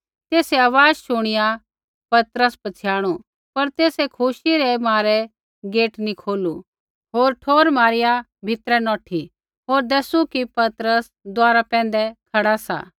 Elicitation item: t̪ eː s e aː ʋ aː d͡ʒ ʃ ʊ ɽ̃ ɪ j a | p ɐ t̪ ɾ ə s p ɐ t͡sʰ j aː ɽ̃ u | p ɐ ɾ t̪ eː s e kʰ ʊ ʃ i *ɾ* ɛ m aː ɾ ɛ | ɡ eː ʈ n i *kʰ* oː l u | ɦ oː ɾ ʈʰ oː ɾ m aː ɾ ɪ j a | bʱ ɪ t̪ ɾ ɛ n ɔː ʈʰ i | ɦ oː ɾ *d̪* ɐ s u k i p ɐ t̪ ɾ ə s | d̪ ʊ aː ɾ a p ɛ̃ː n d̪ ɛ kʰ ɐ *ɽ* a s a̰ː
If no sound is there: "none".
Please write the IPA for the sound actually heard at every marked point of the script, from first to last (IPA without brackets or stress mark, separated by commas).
ɾ, kʰ, d̪, ɽ